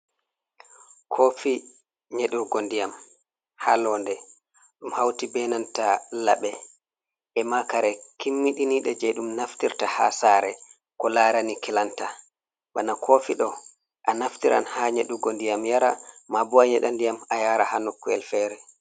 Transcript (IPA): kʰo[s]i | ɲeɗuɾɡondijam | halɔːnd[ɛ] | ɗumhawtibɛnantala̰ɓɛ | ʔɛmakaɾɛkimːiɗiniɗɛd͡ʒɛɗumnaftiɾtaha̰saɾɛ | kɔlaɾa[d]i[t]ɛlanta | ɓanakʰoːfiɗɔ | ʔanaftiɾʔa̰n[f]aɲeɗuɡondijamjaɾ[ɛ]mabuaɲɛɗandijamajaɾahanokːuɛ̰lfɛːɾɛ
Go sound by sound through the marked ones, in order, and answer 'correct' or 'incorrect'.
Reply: incorrect, correct, incorrect, incorrect, incorrect, incorrect

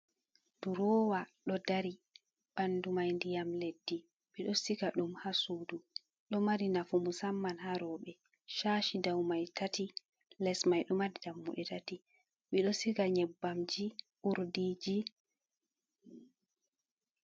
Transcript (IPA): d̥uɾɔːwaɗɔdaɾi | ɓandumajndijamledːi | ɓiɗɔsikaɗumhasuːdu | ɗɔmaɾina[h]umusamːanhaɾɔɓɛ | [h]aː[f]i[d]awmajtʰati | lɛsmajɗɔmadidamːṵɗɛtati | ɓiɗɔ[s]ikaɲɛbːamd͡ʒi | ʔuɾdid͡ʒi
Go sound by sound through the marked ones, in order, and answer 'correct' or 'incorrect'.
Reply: incorrect, incorrect, incorrect, correct, correct

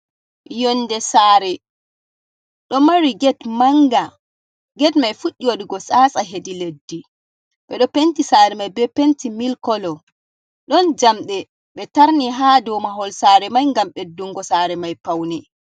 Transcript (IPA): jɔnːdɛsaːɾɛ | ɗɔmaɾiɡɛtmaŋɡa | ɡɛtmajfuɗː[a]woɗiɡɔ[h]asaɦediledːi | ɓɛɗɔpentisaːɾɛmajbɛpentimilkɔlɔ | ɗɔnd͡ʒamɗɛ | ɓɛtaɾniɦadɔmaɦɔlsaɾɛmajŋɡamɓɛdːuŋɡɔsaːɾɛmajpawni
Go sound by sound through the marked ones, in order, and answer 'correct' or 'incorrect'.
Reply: incorrect, incorrect

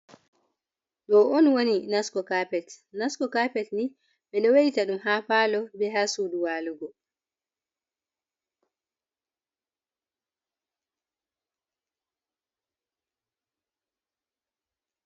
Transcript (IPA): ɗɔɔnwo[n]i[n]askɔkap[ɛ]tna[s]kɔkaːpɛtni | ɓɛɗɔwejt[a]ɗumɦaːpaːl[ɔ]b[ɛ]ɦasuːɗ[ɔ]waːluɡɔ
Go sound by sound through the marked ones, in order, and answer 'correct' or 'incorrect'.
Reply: correct, correct, correct, correct, correct, correct, correct, incorrect

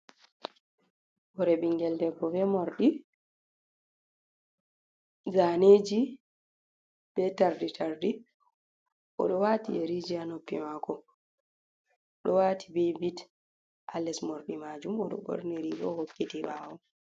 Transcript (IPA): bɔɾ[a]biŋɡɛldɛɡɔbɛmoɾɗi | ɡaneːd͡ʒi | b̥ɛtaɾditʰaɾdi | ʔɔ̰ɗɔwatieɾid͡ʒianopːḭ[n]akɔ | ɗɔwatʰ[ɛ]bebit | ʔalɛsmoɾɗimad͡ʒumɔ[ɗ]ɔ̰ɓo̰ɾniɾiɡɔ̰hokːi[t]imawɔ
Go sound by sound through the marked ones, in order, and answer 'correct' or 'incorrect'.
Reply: incorrect, incorrect, incorrect, correct, correct

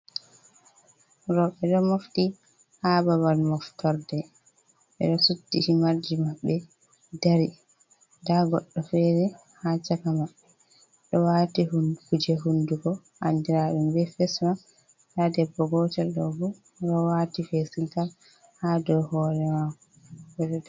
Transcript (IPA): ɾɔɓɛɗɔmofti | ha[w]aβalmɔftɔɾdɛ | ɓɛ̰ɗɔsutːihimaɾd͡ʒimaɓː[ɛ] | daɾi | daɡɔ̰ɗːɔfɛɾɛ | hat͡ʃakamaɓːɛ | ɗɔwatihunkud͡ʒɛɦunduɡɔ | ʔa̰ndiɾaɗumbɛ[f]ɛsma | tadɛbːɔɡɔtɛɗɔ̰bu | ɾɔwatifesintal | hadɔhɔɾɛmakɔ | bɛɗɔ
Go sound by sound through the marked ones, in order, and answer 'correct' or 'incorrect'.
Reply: incorrect, correct, correct

